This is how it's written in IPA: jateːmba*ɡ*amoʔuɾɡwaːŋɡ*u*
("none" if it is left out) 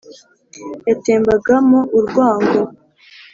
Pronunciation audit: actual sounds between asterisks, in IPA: ɡ, o

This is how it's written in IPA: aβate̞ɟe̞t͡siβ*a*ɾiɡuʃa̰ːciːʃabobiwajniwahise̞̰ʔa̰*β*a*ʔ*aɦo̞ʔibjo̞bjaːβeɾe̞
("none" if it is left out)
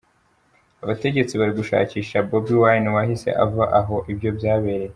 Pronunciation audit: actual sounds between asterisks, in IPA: a, v, ʔ

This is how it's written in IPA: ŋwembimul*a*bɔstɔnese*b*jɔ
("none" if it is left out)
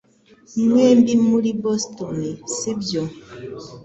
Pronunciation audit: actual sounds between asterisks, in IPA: i, b

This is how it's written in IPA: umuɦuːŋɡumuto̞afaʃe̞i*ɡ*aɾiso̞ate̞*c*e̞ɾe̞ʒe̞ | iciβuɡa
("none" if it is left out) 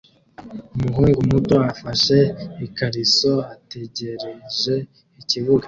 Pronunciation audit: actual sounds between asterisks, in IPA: k, ɟ

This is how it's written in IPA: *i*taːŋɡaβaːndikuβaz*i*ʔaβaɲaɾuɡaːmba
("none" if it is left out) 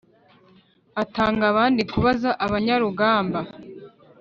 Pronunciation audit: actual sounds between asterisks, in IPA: a, a

